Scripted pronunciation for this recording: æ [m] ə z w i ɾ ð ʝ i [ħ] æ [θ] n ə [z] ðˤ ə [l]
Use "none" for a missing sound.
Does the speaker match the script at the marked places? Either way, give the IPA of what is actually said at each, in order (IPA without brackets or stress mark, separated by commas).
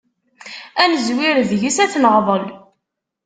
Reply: n, s, θ, ʁ, l